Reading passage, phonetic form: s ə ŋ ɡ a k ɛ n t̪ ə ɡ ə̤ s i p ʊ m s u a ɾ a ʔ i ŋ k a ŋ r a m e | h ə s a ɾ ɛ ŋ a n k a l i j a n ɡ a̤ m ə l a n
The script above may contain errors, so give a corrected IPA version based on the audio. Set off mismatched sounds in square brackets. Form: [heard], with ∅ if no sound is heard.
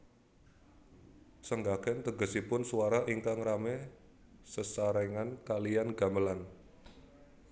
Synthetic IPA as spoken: s ə ŋ ɡ a k ɛ n t̪ ə ɡ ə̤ s i p ʊ [n] s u a ɾ a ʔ i ŋ k a ŋ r a m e | [s] ə s a ɾ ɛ ŋ a n k a l i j a n ɡ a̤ m ə l a n